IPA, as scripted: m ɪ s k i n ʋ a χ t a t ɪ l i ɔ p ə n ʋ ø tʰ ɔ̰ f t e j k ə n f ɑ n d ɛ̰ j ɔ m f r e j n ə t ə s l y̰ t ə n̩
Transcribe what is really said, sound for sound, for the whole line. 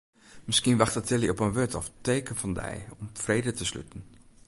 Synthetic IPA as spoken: m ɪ s k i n ʋ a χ t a t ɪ l i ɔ p ə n ʋ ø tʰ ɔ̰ f t e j k ə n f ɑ n d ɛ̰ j ɔ m f r e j d ə t ə s l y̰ t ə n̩